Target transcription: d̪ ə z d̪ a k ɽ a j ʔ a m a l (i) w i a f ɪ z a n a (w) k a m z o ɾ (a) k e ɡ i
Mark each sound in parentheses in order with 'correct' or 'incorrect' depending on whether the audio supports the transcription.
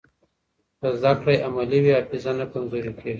correct, incorrect: none, incorrect: i

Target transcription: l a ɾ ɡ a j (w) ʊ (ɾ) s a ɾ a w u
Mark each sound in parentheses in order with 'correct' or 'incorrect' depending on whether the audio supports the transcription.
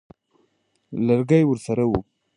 correct, correct

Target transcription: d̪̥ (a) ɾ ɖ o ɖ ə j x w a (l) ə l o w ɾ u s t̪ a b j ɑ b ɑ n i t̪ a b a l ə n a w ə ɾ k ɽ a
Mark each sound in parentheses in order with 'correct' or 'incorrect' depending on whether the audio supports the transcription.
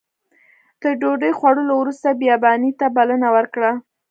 incorrect: ə, incorrect: ɽ

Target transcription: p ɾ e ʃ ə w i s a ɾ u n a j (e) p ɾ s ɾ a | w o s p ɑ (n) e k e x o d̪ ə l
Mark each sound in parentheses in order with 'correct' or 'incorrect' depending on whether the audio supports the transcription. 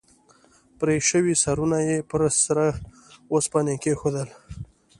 correct, correct

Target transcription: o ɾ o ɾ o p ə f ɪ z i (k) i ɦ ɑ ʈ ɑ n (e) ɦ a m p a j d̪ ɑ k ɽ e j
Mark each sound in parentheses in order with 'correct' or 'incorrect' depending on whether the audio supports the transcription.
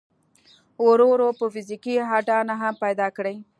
correct, incorrect: a

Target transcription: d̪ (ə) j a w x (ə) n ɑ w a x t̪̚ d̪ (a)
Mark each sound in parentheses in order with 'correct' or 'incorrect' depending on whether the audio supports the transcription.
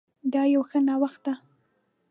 incorrect: ɑ, correct, correct

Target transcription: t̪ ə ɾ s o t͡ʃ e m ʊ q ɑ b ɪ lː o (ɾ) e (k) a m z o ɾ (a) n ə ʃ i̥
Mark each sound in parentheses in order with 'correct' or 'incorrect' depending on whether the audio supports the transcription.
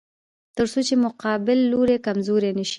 correct, correct, incorrect: e

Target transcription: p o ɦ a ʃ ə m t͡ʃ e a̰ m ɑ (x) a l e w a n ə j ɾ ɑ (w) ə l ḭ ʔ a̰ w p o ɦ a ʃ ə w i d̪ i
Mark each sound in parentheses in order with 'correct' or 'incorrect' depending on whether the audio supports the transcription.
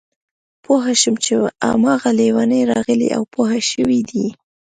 incorrect: ɣ, incorrect: ɣ

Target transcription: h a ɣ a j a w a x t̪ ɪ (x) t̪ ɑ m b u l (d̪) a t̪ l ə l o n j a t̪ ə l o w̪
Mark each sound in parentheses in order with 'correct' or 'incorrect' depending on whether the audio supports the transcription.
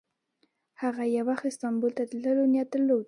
incorrect: s, incorrect: t̪

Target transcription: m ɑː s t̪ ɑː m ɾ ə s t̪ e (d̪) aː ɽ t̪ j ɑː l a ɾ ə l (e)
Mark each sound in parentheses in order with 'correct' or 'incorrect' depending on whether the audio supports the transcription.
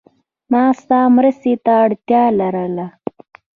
incorrect: t̪, incorrect: a

